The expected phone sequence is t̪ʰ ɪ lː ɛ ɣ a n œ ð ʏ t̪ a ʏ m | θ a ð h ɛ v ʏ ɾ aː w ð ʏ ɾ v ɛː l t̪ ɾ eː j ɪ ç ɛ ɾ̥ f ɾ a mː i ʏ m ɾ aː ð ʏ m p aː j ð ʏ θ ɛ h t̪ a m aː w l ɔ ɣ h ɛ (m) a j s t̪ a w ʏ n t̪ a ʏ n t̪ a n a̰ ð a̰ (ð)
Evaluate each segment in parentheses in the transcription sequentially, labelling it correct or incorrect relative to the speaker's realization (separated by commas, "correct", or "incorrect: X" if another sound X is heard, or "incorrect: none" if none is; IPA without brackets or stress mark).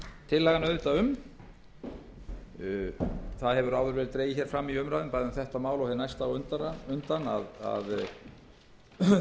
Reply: incorrect: n, correct